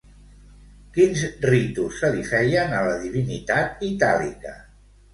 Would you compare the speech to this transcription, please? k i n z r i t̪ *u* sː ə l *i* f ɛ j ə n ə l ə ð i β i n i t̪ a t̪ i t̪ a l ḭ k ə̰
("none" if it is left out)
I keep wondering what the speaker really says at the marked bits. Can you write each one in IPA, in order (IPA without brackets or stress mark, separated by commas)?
u, i